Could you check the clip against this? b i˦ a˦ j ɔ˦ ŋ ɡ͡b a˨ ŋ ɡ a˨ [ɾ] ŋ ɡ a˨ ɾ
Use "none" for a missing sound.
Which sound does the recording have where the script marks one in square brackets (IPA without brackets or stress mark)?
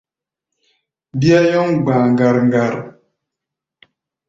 ɾ